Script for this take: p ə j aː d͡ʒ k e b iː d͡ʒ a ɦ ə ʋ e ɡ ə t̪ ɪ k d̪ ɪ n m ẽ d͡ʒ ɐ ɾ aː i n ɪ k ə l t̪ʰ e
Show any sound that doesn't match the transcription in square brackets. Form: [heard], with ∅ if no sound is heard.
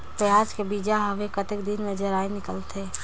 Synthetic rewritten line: p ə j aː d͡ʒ k e b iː d͡ʒ a ɦ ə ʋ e [k] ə t̪ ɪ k d̪ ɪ n m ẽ d͡ʒ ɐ ɾ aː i n ɪ k ə l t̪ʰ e